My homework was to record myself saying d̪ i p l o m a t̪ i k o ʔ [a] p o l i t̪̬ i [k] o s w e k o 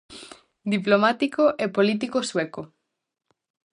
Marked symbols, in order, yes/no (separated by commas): no, yes